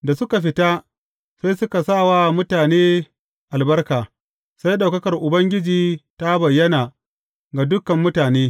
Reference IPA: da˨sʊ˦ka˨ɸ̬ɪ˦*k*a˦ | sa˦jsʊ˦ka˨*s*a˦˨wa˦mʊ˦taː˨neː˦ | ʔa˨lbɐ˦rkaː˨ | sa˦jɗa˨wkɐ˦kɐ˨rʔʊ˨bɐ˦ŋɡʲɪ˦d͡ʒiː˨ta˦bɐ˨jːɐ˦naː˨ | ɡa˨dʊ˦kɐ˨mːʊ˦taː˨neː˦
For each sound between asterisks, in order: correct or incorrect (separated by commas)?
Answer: incorrect, correct